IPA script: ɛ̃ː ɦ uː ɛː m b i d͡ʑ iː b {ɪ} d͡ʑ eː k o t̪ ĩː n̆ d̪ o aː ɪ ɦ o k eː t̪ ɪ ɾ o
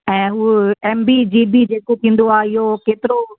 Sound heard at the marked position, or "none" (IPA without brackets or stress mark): i